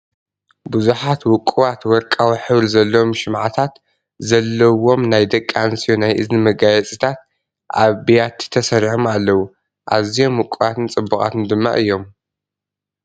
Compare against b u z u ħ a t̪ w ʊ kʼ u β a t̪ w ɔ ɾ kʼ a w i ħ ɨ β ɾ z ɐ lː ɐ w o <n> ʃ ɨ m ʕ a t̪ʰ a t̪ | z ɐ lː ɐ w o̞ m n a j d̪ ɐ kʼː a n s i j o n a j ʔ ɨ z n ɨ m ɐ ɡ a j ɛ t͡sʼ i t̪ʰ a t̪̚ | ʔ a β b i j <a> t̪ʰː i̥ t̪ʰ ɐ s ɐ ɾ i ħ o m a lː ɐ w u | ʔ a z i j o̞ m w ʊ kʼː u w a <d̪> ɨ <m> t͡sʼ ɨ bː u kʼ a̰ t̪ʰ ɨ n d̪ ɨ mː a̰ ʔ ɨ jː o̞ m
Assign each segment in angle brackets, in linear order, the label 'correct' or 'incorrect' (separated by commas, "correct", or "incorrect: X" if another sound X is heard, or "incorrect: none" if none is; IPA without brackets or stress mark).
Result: incorrect: m, correct, incorrect: t̪, incorrect: n